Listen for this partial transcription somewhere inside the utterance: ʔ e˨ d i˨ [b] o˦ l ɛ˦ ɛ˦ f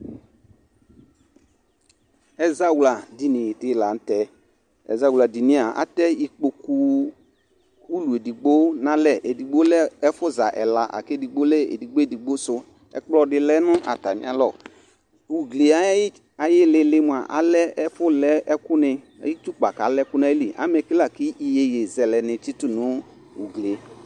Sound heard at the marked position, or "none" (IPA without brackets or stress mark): ɡ͡b